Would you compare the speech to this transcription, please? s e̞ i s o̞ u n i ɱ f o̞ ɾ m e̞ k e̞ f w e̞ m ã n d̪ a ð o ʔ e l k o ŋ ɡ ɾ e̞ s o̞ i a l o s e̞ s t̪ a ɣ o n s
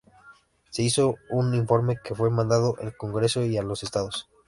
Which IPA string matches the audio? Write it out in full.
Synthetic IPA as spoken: s e̞ i s o̞ u n i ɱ f o̞ ɾ m e̞ k e̞ f w e̞ m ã n d̪ a ð o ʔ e l k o ŋ ɡ ɾ e̞ s o̞ i a l o s e̞ s t̪ a ð o s